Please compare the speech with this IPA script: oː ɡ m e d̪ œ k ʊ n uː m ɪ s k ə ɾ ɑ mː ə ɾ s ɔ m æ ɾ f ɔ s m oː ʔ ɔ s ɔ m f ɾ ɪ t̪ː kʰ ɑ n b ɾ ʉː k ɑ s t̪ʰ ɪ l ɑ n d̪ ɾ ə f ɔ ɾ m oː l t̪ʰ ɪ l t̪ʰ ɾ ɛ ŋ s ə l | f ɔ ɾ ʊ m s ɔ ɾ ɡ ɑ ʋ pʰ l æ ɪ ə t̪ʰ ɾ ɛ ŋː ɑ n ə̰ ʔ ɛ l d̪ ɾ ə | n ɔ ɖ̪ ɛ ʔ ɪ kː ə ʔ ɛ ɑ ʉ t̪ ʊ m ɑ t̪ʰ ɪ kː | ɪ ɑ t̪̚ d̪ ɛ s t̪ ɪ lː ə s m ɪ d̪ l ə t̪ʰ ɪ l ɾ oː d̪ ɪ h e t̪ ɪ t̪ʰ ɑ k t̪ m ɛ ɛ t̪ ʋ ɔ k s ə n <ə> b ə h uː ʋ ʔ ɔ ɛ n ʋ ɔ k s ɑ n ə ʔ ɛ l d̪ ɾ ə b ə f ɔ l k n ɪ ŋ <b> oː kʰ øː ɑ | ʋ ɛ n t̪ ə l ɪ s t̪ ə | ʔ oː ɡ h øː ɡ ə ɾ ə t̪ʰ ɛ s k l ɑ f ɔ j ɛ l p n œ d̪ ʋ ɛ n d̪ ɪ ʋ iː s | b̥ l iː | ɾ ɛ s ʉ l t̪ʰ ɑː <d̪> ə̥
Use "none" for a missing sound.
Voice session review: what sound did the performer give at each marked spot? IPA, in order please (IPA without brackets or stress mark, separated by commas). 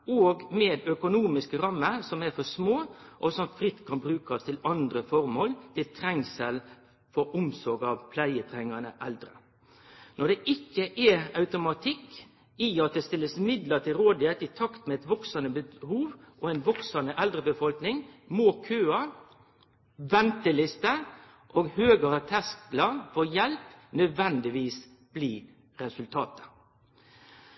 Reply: ə, m, t̪